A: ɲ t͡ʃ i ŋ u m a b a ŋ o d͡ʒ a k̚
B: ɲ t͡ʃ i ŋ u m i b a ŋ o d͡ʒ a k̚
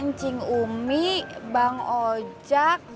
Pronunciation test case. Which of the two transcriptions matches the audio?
B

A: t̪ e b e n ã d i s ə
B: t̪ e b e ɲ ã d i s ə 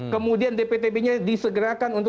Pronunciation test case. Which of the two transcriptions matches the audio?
B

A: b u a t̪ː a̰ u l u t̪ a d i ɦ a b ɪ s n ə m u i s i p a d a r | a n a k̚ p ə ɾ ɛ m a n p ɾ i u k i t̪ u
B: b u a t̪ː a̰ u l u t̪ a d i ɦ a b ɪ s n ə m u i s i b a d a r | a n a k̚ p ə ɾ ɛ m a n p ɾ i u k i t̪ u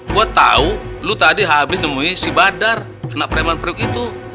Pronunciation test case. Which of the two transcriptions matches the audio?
B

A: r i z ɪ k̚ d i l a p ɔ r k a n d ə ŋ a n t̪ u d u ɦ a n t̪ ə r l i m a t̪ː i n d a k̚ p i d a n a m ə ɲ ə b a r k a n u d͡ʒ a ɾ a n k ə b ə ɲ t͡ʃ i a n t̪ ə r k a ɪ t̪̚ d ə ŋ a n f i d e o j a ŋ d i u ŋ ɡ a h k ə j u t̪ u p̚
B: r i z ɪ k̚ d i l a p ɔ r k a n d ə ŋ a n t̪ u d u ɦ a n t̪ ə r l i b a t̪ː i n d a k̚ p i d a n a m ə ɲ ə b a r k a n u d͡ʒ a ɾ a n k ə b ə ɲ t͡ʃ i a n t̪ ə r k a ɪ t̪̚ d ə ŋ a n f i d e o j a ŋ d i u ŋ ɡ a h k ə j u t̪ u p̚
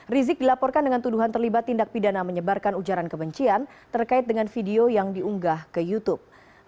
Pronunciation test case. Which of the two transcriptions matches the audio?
B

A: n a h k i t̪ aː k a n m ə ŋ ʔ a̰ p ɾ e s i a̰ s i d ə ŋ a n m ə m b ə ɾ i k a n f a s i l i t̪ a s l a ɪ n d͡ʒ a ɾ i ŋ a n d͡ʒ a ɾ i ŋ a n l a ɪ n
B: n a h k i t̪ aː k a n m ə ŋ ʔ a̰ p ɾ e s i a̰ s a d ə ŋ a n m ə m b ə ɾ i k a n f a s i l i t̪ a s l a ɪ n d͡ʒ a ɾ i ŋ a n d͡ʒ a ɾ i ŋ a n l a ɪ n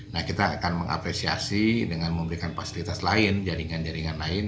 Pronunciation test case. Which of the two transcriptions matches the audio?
A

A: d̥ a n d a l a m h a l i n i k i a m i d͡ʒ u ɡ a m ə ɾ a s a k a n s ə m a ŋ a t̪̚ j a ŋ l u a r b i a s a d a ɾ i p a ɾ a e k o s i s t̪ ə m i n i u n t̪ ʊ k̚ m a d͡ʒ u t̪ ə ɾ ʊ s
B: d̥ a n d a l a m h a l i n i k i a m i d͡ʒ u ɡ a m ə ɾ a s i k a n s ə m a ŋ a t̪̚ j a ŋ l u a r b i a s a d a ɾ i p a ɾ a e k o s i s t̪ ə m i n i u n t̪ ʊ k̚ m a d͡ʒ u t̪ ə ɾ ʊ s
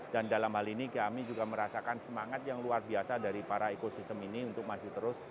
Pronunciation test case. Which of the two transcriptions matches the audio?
A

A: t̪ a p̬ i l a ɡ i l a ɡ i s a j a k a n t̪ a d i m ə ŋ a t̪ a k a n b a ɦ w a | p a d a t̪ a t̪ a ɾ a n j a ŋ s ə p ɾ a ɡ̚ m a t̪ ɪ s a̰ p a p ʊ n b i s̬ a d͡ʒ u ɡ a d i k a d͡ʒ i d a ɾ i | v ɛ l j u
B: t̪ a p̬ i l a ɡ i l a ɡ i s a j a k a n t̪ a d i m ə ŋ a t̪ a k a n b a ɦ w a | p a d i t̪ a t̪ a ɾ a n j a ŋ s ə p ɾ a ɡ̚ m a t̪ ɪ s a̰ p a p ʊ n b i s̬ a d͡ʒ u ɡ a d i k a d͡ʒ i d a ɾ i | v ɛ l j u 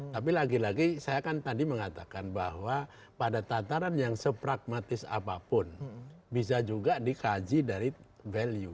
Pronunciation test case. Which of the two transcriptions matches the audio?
A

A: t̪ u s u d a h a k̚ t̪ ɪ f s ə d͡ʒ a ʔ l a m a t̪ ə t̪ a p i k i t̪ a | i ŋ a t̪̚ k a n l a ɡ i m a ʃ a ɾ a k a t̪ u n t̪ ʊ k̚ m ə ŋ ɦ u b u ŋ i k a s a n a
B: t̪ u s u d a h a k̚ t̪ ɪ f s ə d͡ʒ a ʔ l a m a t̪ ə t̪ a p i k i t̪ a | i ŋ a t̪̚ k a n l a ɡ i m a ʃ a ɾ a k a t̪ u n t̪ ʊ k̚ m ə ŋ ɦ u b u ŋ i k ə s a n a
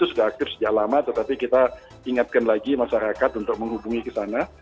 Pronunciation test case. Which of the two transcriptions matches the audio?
B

